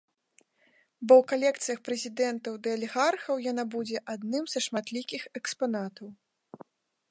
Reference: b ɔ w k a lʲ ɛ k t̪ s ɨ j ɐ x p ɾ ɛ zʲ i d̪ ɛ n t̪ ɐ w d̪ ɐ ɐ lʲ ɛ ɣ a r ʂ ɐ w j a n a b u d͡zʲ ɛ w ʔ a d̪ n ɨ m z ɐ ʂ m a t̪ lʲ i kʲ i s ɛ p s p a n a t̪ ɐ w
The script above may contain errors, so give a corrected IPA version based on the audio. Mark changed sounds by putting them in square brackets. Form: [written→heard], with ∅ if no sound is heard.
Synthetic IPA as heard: b ɔ w k a lʲ ɛ k t̪ s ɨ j ɐ x p ɾ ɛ zʲ i d̪ ɛ n t̪ ɐ w d̪ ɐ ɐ lʲ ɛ ɣ a r [ʂ→x] ɐ w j a n a b u d͡zʲ ɛ [w→∅] ʔ a d̪ n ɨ m z ɐ ʂ m a t̪ lʲ i kʲ i [s→x] ɛ [p→k] s p a n a t̪ ɐ w